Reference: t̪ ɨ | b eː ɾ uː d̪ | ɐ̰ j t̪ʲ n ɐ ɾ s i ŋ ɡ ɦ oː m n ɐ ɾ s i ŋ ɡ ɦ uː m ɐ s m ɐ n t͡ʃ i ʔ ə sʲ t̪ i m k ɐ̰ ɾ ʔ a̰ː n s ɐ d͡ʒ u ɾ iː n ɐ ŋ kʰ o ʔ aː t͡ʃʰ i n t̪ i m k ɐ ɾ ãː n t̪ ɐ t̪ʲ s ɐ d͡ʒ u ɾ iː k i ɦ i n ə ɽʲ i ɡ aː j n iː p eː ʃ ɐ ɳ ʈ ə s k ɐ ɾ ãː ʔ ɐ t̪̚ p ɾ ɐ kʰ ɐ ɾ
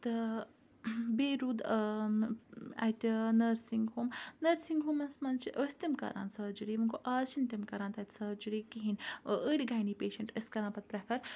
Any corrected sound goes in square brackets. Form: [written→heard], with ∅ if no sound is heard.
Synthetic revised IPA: t̪ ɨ | b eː ɾ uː d̪ | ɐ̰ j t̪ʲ n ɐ ɾ s i ŋ ɡ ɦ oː m n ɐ ɾ s i ŋ ɡ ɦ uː m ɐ s m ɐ n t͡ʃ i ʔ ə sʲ t̪ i m k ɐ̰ ɾ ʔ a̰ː n s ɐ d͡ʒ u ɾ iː [n→m] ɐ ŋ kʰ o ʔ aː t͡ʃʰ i n t̪ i m k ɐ ɾ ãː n t̪ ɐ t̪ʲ s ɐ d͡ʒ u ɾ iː k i ɦ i n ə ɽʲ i ɡ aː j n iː p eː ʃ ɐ ɳ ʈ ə s k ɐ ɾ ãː [ʔ→p] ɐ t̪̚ p ɾ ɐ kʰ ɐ ɾ